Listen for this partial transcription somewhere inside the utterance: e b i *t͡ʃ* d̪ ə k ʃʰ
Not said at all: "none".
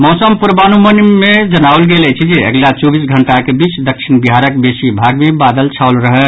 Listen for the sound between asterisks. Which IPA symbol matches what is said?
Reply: t͡ʃ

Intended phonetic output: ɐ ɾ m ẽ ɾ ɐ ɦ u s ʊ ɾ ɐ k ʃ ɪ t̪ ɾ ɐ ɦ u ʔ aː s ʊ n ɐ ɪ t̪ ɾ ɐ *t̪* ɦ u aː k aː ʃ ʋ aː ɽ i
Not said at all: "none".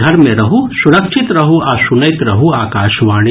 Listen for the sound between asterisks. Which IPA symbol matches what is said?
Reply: none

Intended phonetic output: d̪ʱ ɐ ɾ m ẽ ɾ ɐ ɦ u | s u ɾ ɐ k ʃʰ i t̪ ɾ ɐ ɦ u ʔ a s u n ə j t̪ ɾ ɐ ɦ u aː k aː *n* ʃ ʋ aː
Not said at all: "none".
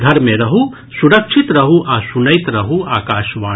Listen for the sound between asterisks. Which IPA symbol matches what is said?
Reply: none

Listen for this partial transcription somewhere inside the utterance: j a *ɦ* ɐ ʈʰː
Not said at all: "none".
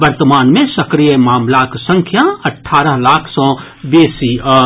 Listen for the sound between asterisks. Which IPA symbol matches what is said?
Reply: none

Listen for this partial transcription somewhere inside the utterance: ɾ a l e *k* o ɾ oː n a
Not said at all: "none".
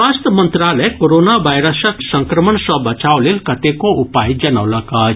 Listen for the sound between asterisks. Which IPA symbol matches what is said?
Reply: k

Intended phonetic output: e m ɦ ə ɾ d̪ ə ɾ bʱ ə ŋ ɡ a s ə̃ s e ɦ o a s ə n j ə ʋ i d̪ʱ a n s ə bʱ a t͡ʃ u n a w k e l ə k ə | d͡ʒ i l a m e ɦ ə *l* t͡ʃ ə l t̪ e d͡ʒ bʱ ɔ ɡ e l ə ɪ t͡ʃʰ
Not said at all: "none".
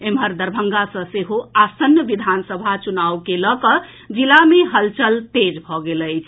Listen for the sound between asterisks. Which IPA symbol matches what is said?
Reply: l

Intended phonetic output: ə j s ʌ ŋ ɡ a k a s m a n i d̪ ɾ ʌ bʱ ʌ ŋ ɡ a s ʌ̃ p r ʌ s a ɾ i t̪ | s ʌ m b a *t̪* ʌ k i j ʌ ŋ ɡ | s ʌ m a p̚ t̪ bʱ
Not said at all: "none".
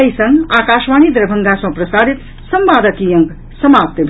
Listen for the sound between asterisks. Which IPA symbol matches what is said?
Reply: d̪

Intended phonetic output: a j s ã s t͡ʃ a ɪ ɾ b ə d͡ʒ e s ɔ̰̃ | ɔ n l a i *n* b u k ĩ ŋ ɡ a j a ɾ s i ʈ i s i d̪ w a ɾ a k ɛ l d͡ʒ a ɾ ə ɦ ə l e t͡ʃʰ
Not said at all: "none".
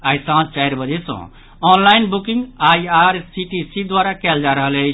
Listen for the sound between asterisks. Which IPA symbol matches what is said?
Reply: n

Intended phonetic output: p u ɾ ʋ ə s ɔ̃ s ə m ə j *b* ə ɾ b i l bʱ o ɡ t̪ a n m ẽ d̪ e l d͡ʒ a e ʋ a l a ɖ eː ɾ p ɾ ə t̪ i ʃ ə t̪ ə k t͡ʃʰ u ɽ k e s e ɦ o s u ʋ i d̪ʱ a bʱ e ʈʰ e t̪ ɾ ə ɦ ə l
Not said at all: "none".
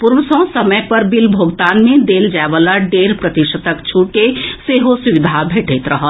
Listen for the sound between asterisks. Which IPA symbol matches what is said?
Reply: p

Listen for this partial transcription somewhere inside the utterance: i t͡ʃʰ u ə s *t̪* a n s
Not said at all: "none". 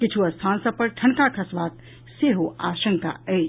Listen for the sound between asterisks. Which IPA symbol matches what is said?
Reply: t̪ʰ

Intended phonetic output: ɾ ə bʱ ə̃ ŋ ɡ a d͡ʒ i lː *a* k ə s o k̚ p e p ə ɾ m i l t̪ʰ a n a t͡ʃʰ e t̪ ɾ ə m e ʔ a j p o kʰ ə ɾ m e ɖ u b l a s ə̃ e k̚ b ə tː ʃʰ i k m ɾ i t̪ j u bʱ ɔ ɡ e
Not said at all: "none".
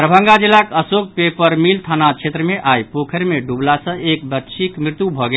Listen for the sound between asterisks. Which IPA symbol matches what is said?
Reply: a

